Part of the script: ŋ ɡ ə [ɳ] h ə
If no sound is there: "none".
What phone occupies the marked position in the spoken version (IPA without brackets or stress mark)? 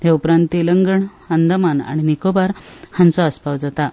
ɳ